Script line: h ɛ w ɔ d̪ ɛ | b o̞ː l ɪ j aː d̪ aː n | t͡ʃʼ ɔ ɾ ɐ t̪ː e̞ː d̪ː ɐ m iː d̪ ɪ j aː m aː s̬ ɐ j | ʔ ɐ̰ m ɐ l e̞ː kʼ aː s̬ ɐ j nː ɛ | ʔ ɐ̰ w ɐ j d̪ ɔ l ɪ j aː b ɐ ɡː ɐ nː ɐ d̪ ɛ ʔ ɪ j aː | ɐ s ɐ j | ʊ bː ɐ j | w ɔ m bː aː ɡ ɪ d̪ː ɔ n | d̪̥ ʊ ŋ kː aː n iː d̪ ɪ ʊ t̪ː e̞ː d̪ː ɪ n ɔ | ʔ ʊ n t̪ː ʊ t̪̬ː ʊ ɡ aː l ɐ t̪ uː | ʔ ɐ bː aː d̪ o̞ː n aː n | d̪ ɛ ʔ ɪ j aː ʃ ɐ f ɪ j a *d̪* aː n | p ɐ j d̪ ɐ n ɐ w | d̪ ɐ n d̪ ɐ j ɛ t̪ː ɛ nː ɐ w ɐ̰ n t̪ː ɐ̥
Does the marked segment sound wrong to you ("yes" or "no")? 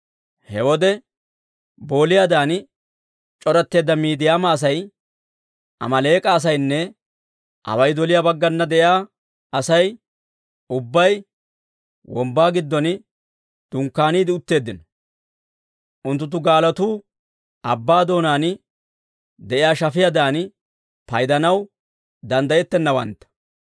no